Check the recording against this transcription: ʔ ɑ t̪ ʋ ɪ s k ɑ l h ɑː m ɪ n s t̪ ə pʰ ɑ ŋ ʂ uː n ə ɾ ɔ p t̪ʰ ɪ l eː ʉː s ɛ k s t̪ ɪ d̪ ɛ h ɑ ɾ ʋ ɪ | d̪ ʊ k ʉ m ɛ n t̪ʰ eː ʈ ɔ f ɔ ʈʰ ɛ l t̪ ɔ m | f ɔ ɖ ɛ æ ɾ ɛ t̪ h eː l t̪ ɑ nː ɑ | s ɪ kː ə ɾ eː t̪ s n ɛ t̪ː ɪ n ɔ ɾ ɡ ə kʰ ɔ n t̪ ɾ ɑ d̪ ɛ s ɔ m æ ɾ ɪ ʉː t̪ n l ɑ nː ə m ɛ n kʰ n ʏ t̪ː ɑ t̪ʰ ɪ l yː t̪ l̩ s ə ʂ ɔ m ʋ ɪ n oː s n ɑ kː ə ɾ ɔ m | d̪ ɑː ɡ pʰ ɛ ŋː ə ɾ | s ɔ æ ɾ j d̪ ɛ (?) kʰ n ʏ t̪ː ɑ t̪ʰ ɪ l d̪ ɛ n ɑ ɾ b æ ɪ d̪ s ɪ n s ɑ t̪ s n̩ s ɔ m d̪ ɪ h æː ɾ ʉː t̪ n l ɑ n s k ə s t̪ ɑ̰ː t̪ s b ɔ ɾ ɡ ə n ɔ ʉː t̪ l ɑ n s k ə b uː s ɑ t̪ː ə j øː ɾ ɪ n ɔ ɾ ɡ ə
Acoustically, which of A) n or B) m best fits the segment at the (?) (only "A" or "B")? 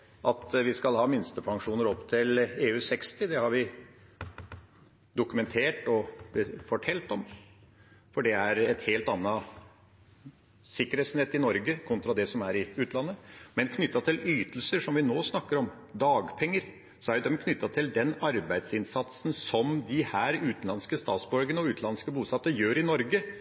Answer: B